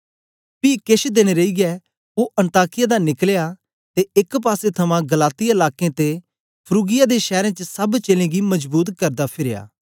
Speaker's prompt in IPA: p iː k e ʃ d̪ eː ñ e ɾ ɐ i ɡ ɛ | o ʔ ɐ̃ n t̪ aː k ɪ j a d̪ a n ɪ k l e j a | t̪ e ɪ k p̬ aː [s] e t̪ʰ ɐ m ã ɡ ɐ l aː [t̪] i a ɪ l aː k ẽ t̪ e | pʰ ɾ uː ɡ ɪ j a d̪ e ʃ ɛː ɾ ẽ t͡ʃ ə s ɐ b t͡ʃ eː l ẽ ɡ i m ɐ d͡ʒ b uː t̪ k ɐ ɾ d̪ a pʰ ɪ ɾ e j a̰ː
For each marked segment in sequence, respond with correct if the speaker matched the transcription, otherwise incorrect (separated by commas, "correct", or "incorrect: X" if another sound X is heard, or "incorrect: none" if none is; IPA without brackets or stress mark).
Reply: correct, correct